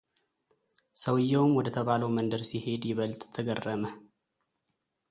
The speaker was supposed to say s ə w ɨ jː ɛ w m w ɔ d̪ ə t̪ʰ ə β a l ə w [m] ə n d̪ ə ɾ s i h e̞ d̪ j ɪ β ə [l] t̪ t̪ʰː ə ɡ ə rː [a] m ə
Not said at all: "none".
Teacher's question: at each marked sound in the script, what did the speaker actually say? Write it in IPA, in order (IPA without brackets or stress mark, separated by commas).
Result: m, l, ə